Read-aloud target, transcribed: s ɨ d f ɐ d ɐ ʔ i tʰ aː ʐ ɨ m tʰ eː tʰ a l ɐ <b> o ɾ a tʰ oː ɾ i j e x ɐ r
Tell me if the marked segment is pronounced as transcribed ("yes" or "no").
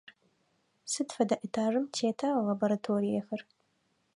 yes